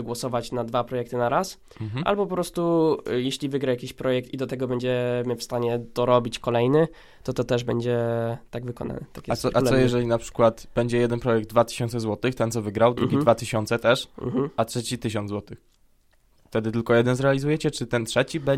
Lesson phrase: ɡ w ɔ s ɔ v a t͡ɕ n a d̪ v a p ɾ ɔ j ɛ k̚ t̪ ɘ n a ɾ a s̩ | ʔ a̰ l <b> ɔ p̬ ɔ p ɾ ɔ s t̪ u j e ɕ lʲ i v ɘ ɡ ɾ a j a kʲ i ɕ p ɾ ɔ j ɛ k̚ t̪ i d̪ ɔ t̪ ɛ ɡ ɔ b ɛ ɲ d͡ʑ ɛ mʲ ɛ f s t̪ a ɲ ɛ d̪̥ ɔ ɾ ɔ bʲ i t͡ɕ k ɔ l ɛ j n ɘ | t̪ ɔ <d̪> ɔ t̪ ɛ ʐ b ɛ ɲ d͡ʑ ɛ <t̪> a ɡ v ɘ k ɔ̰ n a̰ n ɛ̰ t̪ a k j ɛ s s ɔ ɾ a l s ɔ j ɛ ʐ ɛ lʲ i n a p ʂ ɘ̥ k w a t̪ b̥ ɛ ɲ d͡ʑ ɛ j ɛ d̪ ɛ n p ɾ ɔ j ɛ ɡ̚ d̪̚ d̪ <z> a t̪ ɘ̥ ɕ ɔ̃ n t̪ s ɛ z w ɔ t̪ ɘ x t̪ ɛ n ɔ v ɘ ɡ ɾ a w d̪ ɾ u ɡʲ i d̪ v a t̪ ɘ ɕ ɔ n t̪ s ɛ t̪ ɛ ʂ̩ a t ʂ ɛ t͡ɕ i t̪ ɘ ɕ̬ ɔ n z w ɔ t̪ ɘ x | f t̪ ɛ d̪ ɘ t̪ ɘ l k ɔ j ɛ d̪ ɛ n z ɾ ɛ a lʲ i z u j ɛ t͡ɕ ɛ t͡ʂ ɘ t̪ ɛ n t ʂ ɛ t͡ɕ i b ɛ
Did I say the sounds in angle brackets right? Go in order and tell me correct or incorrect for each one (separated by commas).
correct, incorrect, correct, incorrect